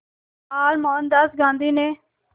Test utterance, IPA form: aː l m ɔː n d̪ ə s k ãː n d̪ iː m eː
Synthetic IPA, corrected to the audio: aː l m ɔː n d̪ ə s ɡ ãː n d̪ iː n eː